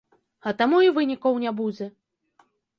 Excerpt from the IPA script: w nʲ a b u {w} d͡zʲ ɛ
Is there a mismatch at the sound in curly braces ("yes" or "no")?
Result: yes